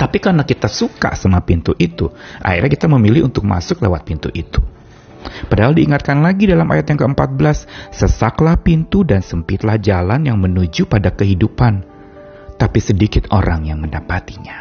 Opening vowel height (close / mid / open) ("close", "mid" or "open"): open